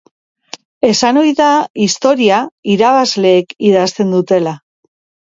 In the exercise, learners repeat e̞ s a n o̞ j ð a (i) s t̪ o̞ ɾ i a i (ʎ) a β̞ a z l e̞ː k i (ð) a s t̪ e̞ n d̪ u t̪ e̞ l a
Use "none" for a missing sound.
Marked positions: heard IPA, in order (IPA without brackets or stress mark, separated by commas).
i, ɾ, ð